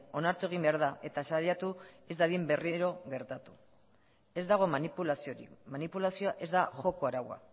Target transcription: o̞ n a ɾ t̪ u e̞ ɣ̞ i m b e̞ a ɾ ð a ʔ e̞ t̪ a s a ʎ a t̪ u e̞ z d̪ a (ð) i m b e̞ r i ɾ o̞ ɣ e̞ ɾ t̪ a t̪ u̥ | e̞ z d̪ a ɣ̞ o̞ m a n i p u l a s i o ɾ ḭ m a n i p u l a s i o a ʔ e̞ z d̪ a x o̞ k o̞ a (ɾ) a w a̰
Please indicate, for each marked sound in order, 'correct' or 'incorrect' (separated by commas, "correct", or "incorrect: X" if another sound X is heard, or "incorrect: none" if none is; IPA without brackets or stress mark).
correct, correct